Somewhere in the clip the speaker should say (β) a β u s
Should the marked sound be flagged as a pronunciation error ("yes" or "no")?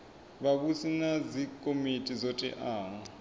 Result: no